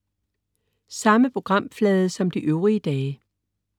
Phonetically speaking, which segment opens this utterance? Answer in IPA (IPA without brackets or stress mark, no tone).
s